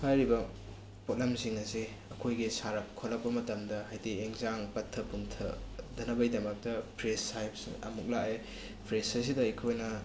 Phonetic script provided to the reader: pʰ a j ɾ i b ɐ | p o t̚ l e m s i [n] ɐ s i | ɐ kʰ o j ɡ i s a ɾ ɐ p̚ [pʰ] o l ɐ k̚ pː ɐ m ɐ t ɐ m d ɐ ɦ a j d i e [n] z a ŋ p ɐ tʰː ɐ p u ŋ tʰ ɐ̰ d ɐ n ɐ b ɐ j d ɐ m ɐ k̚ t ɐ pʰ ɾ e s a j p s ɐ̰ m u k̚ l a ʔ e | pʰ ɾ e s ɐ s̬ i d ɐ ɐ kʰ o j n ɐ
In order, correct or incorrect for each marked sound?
incorrect: ŋ, incorrect: kʰ, incorrect: ŋ

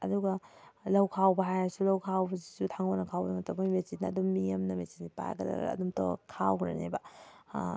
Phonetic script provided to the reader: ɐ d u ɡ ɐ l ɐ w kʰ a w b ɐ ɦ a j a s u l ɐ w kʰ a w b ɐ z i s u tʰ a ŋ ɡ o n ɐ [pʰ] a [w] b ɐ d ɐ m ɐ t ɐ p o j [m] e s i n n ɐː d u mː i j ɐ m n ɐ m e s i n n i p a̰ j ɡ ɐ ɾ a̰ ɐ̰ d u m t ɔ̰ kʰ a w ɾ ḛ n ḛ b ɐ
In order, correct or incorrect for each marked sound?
incorrect: kʰ, correct, correct

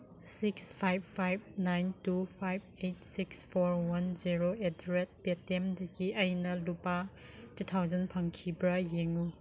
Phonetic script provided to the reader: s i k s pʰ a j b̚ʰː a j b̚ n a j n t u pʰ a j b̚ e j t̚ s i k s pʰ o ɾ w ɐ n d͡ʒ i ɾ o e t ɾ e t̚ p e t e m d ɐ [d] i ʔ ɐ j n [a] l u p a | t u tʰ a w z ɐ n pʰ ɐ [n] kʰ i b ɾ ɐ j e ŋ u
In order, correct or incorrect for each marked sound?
incorrect: ɡ, incorrect: ɐ, incorrect: ŋ

